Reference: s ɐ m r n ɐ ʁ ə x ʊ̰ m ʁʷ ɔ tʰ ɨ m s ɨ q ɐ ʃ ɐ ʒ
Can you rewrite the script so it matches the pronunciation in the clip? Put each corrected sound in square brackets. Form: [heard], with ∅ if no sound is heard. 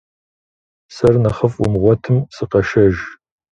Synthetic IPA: s ɐ [∅] r n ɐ [χ] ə [f] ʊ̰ m ʁʷ ɔ tʰ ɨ m s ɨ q ɐ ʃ ɐ ʒ

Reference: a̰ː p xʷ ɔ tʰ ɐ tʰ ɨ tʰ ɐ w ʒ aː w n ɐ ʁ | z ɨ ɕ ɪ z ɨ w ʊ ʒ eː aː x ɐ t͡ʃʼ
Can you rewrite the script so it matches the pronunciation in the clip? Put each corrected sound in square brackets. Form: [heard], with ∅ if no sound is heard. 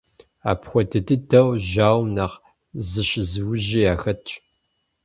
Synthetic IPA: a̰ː p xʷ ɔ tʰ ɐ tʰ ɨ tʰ ɐ w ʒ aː w n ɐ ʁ | z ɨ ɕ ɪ z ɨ w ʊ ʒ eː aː x ɐ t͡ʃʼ

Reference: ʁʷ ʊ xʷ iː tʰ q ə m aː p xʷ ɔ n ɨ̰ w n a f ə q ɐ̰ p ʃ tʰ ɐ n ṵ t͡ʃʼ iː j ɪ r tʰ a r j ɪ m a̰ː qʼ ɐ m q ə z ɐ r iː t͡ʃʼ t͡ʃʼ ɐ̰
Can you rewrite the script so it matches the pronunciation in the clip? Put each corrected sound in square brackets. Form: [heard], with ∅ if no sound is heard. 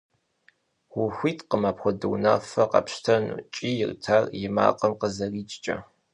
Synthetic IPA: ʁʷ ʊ xʷ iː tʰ q ə m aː p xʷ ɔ [d] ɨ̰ w n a f [ɐ] q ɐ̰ p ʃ tʰ ɐ n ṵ t͡ʃʼ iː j ɪ r tʰ a r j ɪ m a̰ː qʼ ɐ m q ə z ɐ r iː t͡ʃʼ t͡ʃʼ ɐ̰

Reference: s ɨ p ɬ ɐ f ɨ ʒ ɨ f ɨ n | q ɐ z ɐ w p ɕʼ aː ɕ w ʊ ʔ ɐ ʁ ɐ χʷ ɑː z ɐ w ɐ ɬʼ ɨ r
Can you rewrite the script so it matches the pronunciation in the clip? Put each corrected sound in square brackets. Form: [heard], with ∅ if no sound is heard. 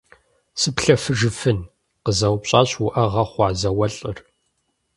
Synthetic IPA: s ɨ p ɬ ɐ f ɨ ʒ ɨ f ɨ n | q [ə] z ɐ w p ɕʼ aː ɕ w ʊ ʔ ɐ ʁ ɐ χʷ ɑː z ɐ w ɐ ɬʼ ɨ r

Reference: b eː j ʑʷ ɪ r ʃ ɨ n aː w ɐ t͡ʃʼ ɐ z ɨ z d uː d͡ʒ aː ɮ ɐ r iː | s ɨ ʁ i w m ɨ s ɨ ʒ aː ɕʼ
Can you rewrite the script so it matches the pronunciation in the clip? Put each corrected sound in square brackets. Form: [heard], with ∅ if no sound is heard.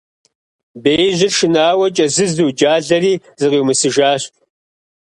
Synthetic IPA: b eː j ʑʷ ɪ r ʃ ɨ n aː w ɐ t͡ʃʼ ɐ z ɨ z d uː d͡ʒ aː ɮ ɐ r iː | [z] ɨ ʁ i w m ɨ s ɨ ʒ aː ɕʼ

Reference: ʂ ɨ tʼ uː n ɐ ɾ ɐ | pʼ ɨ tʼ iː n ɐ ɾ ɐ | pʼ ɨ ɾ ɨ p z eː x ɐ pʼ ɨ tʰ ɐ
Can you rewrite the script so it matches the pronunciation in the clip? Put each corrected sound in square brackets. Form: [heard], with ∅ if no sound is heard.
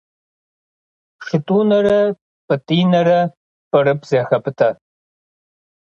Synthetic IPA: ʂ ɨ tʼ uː n ɐ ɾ ɐ | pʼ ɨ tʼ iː n ɐ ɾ ɐ | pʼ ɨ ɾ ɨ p z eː x ɐ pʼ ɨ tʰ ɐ

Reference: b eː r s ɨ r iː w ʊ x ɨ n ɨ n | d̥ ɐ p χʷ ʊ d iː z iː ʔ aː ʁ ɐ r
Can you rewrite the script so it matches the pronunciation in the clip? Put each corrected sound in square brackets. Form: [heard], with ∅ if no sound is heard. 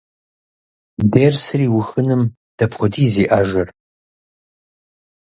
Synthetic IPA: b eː r s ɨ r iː w ʊ x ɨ n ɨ [m] | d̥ ɐ p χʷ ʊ d iː z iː ʔ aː [ʒ] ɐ r

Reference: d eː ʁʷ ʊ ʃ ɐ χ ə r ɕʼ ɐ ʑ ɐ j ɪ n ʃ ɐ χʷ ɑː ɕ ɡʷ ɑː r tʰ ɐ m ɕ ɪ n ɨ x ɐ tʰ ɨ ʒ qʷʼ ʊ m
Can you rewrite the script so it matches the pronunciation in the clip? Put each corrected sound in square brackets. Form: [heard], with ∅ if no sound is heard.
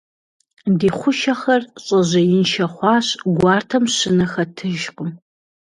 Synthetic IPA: d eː [χʷ] ʊ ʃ ɐ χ [ɐ] r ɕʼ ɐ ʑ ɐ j ɪ n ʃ ɐ χʷ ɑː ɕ ɡʷ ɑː r tʰ ɐ m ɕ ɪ n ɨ x ɐ tʰ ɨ ʒ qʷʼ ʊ m

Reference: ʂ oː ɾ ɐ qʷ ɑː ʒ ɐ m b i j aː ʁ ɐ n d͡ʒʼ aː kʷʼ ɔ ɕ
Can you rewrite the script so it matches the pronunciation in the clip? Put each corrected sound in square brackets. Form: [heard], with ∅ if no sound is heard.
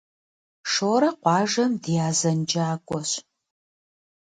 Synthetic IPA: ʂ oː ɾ ɐ qʷ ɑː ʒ ɐ m [d] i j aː [z] ɐ n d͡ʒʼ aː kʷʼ ɔ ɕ

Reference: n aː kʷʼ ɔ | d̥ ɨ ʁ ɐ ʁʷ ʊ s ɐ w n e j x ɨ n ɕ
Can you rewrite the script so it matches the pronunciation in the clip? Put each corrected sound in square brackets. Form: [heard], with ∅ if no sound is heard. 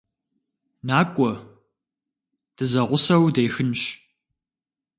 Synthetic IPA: n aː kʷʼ ɔ | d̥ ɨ [z] ɐ ʁʷ ʊ s ɐ w [d] e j x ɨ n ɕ

